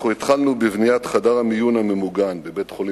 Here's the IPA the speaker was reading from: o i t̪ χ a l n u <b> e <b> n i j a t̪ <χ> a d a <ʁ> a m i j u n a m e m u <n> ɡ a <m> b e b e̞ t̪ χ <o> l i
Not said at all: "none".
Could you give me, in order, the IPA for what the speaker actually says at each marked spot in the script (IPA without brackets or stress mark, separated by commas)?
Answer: b, v, χ, ʁ, none, n, o